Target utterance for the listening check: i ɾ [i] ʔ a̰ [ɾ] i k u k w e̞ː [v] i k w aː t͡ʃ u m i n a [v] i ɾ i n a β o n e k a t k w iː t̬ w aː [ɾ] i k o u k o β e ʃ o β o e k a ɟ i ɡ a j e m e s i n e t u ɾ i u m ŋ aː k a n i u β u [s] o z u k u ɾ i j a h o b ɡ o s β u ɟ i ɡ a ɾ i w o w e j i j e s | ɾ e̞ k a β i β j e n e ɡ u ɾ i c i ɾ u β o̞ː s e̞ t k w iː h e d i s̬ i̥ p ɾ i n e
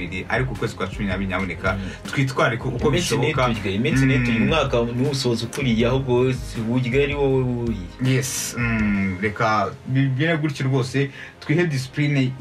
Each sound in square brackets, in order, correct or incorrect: correct, correct, incorrect, incorrect, correct, correct

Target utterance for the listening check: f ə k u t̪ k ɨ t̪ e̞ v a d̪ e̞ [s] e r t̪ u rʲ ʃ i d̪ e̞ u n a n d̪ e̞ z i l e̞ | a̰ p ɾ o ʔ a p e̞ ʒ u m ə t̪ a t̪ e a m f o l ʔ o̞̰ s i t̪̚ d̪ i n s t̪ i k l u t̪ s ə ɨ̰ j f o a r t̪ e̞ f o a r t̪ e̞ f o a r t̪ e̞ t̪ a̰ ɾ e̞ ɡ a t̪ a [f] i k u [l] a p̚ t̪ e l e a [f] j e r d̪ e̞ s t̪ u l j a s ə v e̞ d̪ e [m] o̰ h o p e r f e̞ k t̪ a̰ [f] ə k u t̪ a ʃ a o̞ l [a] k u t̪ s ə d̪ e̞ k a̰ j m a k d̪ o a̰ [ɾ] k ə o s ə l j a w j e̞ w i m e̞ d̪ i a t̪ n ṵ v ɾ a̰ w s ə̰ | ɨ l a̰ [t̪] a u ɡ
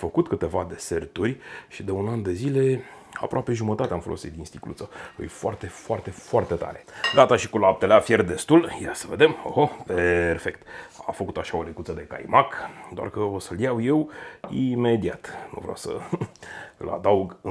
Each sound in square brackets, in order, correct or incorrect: correct, incorrect, correct, correct, correct, correct, incorrect, incorrect, incorrect

